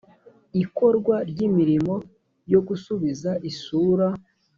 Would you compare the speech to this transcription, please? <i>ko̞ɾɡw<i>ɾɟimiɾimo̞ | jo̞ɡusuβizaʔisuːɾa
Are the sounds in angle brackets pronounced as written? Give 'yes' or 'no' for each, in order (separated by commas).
yes, no